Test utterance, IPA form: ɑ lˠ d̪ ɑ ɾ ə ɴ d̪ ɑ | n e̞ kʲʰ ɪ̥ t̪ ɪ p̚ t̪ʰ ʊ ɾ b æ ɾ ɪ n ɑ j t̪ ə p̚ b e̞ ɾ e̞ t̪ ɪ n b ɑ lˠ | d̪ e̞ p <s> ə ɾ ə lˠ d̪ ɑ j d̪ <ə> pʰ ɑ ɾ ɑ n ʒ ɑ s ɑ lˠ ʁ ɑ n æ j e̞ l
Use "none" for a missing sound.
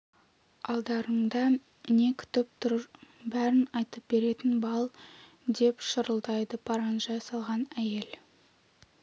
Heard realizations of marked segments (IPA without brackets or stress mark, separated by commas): ʃ, ə